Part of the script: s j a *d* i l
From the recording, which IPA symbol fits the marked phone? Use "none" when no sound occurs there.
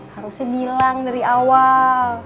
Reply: b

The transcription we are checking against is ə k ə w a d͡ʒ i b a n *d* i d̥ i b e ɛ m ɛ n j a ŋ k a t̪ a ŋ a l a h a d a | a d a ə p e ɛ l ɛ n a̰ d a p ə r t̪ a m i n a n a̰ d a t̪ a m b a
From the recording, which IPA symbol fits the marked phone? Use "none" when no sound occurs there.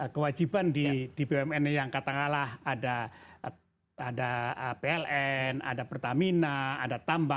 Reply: d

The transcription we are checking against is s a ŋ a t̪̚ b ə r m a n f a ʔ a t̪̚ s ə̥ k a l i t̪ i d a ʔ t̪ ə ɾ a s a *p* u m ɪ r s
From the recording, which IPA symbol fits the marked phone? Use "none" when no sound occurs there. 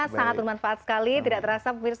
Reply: p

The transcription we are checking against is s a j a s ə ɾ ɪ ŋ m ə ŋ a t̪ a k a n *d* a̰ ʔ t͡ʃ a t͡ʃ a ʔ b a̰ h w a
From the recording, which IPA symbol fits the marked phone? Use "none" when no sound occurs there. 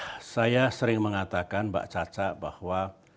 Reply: b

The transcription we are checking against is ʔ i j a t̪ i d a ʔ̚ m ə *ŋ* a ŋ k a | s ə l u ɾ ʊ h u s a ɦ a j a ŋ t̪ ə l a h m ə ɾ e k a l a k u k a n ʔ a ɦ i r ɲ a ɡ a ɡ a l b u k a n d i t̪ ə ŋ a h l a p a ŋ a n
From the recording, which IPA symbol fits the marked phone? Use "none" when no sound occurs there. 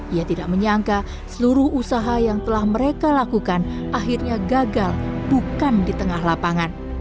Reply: ɲ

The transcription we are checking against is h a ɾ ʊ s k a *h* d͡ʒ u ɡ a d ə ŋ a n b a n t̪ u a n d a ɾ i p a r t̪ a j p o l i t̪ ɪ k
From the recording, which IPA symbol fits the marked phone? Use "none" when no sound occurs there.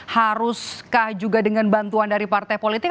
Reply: h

